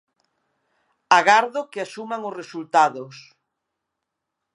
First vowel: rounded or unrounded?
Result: unrounded